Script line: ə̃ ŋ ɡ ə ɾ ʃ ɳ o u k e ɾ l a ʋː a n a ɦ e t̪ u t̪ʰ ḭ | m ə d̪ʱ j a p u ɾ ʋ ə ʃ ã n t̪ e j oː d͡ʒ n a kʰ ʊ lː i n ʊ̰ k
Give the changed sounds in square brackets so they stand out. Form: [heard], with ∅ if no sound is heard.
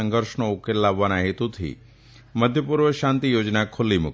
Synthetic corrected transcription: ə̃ ŋ ɡ ə ɾ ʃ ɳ o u k e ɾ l a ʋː a n a ɦ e t̪ u t̪ʰ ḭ | m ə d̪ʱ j [ə] p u ɾ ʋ ə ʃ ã n t̪ [i] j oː d͡ʒ n a kʰ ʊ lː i [m] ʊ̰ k